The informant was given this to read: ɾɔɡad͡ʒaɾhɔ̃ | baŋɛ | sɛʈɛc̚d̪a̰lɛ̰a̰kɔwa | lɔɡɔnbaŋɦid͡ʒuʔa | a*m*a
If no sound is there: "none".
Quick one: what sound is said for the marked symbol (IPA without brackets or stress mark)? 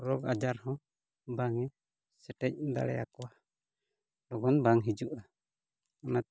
n